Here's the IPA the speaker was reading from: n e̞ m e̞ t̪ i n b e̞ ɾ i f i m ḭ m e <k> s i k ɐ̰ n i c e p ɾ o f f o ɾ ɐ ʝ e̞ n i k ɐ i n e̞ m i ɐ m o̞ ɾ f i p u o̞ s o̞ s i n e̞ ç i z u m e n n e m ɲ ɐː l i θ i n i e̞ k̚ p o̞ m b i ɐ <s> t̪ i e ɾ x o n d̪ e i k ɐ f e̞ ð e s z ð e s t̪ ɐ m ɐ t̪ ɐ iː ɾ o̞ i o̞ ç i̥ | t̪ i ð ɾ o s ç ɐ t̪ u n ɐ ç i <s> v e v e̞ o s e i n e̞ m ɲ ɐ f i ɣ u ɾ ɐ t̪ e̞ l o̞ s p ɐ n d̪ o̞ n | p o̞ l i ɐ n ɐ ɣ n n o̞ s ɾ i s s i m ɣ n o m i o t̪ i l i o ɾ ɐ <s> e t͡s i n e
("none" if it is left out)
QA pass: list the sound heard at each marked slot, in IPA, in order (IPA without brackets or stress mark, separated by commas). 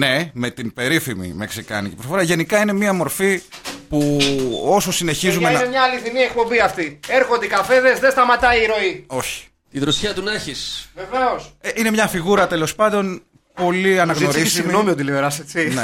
k, f, s, s